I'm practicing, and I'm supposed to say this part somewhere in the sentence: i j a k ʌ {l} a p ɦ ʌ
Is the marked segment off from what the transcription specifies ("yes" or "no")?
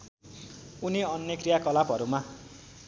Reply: no